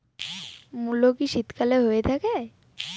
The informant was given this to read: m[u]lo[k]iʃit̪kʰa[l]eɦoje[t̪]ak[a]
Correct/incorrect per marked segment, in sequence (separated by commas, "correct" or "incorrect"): correct, correct, correct, incorrect, incorrect